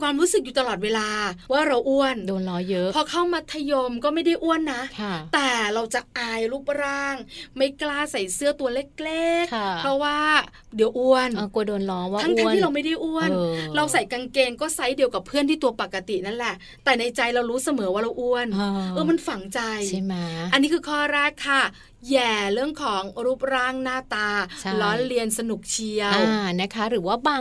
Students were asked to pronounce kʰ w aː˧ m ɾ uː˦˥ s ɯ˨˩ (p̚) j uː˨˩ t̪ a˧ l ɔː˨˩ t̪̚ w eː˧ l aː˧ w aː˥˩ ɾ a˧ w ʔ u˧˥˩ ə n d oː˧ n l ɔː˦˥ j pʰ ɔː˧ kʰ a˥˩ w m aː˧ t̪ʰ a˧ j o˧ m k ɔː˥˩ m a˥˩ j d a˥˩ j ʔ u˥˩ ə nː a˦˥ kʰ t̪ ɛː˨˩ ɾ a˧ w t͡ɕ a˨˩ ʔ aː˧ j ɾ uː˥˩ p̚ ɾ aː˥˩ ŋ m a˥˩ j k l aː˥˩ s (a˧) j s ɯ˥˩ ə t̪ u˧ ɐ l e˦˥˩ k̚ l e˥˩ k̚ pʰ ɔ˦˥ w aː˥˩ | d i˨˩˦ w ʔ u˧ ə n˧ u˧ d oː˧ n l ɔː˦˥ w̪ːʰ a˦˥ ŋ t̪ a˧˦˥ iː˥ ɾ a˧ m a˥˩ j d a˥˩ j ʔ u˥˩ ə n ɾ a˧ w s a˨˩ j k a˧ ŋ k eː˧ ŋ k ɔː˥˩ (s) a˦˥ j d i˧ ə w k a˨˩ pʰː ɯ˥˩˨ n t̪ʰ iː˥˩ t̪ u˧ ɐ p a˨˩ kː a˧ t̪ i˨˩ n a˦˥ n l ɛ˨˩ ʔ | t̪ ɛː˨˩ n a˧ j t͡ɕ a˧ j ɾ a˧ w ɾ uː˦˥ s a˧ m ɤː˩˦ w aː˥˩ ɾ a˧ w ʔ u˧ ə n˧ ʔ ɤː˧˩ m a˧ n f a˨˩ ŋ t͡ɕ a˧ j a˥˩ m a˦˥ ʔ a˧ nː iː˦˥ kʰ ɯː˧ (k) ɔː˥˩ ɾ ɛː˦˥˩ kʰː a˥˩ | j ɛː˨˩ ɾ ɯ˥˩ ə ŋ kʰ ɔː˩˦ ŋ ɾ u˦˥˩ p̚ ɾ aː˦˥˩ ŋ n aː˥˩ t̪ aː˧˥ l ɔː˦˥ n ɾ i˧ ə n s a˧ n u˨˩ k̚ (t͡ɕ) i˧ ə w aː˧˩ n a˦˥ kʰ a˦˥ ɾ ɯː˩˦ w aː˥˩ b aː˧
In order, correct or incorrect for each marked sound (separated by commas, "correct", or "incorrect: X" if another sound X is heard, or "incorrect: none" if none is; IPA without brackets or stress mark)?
incorrect: k̚, incorrect: a˨˩, correct, incorrect: kʰ, incorrect: t͡ɕʰ